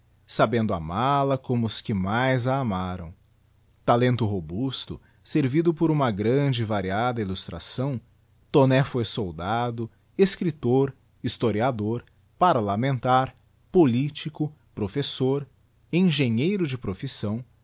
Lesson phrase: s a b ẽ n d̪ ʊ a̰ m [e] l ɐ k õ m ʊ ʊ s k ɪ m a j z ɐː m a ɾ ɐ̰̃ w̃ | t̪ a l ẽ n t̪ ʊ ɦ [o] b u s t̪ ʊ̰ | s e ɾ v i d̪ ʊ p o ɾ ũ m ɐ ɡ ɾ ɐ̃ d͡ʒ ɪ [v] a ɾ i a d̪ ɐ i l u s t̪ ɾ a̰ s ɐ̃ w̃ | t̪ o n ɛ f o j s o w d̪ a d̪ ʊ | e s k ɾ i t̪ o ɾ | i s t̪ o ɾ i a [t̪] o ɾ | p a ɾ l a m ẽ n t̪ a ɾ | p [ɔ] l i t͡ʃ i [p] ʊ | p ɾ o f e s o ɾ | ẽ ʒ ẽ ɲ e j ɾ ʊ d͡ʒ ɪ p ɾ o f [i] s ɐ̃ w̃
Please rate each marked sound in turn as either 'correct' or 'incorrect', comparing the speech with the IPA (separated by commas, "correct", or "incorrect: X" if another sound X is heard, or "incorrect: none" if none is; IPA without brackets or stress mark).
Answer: incorrect: a, correct, correct, incorrect: d̪, incorrect: o, incorrect: k, correct